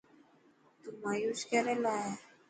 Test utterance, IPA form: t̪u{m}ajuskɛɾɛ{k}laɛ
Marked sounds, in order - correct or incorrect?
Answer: correct, incorrect

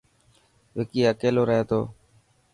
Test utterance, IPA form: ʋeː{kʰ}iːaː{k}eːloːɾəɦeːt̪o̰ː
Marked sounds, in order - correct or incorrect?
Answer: incorrect, correct

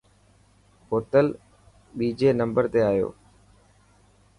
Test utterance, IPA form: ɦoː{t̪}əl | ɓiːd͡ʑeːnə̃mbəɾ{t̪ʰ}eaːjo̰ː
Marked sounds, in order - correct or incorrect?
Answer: correct, incorrect

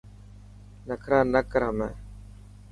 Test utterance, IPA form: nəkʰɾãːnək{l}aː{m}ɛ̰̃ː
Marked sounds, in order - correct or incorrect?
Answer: incorrect, correct

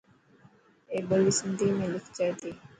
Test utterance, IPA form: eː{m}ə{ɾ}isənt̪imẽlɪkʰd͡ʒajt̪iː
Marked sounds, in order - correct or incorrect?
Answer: incorrect, incorrect

